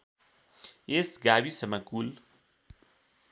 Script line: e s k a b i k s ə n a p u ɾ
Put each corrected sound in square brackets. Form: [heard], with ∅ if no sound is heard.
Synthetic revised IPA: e s [ɡ] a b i [∅] s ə [m] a [k] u [l]